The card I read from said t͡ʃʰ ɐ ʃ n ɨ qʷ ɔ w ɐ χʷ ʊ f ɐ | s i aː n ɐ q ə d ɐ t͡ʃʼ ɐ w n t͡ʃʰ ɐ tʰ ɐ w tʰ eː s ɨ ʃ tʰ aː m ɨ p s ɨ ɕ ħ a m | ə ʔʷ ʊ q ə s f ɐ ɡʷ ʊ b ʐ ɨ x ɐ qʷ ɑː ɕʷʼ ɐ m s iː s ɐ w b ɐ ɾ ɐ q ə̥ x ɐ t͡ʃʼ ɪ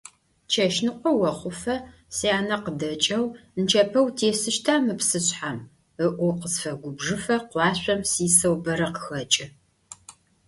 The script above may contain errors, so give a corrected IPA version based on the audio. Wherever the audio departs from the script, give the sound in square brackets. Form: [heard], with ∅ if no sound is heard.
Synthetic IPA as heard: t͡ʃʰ ɐ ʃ n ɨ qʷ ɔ w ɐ χʷ ʊ f ɐ | s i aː n ɐ q ə d ɐ t͡ʃʼ ɐ w n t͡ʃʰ ɐ [pʰ] ɐ w tʰ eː s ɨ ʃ tʰ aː m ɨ p s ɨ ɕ ħ a m | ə ʔʷ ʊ q ə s f ɐ ɡʷ ʊ b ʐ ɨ [f] ɐ qʷ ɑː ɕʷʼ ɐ m s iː s ɐ w b ɐ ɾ ɐ q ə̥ x ɐ t͡ʃʼ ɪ